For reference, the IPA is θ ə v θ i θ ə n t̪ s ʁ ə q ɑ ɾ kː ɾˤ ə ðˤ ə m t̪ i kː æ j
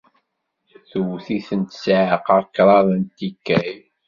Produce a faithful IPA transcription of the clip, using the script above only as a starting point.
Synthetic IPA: θ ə w θ i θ ə n t̪ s ʕ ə q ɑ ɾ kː ɾˤ ɑ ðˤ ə n t̪ i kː æ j